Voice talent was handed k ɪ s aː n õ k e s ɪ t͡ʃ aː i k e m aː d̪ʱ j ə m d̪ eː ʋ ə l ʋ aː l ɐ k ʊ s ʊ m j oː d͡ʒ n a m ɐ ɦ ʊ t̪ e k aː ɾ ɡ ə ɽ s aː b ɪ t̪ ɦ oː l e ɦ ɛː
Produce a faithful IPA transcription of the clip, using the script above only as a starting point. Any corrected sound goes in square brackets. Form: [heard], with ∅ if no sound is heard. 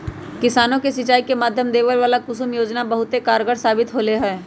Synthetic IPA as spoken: k ɪ s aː n õ k e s ɪ t͡ʃ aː i k e m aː d̪ʱ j ə m d̪ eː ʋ ə l ʋ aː l [a] k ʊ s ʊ m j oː d͡ʒ n a [b] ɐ ɦ ʊ t̪ e k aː ɾ ɡ ə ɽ s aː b ɪ t̪ ɦ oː l e ɦ ɛː